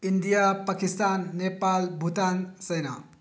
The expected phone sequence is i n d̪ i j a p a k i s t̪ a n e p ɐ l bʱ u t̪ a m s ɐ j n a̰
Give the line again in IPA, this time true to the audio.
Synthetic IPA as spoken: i n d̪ i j a p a k i s t̪ a nː e p a l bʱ u t̪ a n s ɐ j n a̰